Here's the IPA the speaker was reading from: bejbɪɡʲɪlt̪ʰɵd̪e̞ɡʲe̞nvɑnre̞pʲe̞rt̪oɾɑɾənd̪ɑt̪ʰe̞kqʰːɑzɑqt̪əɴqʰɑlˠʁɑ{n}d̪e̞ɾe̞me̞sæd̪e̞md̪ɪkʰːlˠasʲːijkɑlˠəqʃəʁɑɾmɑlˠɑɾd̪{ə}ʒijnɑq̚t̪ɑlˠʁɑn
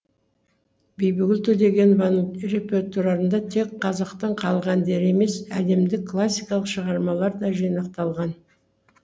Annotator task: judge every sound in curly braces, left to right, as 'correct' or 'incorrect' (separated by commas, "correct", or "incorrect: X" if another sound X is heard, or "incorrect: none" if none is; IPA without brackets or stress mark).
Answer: correct, incorrect: ɑ